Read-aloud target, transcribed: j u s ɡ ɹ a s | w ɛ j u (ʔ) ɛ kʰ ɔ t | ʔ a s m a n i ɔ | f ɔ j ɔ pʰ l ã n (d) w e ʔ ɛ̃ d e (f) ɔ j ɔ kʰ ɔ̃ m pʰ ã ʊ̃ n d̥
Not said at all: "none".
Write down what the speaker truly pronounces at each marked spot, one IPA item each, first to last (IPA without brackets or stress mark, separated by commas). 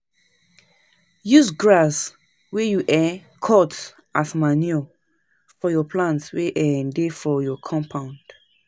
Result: ʔ, t, f